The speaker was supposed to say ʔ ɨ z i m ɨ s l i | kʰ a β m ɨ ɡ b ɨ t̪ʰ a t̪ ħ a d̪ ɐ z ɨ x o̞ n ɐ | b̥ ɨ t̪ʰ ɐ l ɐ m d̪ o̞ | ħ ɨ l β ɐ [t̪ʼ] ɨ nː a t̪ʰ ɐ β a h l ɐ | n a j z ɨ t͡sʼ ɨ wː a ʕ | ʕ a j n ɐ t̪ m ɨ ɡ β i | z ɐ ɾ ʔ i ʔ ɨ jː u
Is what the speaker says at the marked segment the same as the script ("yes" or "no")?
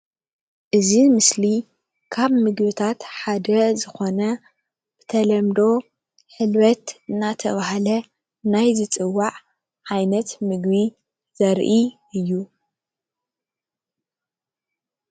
no